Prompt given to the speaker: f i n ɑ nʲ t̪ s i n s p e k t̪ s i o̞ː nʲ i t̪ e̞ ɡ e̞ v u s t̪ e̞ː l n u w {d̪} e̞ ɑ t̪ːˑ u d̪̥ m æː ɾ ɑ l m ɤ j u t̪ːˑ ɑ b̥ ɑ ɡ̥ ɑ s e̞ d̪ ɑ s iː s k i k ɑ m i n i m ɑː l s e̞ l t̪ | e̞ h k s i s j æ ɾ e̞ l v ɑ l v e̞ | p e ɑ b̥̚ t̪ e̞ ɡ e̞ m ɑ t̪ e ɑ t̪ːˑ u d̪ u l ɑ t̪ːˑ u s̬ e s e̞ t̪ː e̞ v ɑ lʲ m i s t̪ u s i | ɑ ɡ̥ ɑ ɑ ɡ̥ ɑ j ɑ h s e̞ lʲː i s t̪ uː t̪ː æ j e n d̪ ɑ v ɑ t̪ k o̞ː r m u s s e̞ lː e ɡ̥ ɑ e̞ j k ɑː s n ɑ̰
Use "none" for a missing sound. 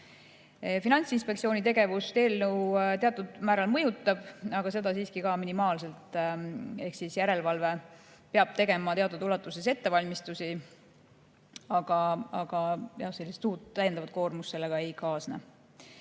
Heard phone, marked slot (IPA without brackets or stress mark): t̪